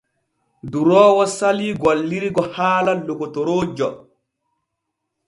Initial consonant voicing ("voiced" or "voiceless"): voiced